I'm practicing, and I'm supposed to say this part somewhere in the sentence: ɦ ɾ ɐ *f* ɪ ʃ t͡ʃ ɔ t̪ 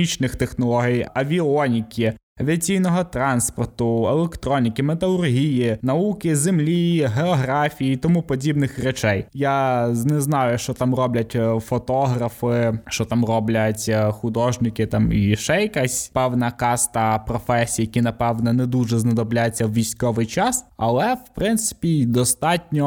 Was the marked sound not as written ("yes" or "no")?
no